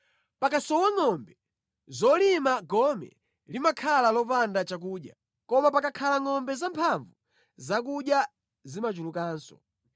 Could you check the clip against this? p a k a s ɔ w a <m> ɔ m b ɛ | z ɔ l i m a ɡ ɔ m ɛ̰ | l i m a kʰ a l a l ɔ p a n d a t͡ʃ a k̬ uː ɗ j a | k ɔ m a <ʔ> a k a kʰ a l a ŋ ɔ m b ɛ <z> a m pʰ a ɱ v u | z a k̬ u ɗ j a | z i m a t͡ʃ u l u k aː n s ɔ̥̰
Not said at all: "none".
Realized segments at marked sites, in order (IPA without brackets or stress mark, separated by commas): ŋ, p, z